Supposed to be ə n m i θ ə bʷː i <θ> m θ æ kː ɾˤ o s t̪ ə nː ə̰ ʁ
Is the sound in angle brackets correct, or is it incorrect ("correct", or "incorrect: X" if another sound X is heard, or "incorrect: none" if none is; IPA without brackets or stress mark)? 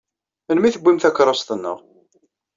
incorrect: none